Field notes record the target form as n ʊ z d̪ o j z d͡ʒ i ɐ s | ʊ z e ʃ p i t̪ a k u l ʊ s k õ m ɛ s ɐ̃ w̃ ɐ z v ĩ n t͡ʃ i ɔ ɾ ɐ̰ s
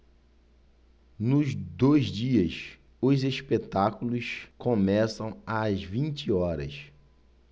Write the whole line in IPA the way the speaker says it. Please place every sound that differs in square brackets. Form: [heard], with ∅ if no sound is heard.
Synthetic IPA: n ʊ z d̪ o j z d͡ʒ i ɐ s | ʊ z e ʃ p [e] t̪ a k u l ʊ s k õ m ɛ s ɐ̃ w̃ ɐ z v ĩ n t͡ʃ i ɔ ɾ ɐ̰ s